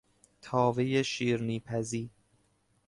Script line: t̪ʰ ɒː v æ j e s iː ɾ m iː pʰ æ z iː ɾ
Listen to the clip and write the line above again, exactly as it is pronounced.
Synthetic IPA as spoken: t̪ʰ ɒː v e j e ʃ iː ɾ n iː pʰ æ z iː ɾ